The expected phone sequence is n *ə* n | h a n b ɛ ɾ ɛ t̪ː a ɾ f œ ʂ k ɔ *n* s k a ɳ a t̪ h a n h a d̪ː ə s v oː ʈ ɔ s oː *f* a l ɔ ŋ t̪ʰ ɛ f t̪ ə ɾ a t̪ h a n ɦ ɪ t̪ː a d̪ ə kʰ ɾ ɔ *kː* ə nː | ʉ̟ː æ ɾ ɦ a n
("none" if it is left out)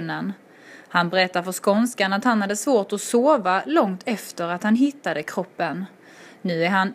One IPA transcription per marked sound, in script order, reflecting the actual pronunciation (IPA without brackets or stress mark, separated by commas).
ə, n, v, pː